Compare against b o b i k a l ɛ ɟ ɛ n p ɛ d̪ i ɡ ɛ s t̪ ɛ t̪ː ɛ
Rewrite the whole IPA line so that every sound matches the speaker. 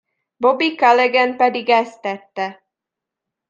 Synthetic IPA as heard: b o b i k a l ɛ ɡ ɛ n p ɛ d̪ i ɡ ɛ s t̪ ɛ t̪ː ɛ